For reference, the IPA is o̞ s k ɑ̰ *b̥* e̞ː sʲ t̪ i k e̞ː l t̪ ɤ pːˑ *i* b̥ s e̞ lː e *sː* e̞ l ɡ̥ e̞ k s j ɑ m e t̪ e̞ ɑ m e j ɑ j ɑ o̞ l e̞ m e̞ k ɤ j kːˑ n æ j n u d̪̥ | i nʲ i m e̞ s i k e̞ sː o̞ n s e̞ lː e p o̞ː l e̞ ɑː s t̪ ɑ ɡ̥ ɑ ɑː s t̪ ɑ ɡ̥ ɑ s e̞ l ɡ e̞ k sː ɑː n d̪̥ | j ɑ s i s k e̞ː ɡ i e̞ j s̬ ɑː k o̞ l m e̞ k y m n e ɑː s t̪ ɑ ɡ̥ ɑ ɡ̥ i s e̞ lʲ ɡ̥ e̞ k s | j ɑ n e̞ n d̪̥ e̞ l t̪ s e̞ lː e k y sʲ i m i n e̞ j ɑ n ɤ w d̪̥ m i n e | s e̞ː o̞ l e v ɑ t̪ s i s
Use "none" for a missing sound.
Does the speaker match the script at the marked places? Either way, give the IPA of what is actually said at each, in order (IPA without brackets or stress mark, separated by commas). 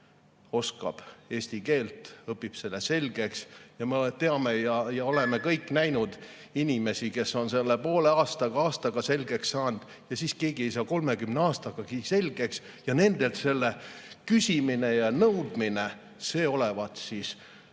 b̥, i, s